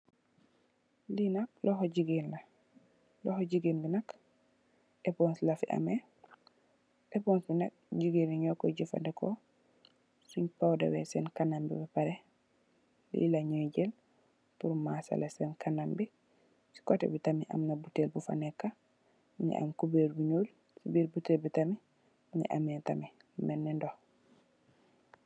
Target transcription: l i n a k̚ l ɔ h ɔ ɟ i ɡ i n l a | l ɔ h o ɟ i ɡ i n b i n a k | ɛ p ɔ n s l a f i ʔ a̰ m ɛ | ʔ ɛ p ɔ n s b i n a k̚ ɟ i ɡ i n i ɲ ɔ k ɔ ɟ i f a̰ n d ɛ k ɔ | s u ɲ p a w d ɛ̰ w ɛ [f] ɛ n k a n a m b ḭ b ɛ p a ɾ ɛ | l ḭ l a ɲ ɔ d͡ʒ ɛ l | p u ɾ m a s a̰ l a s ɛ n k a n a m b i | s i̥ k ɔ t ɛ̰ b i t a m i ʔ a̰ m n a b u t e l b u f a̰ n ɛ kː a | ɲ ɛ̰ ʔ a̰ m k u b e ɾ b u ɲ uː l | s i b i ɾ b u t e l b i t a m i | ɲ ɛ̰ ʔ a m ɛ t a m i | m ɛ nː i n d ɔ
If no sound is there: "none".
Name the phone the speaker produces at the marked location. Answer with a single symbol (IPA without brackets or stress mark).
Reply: s